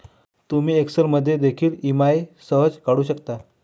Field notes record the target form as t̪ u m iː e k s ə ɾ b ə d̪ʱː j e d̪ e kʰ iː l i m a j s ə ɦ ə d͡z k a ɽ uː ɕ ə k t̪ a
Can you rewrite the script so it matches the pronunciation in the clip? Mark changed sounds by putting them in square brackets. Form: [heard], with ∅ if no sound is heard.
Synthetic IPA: t̪ u m iː e k s ə ɾ [m] ə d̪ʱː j e d̪ e kʰ iː l i m a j s ə ɦ ə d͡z k a ɽ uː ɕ ə k t̪ a